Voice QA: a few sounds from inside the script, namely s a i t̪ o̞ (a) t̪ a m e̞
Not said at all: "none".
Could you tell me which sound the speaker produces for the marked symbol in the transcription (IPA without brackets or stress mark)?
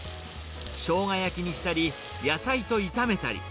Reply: i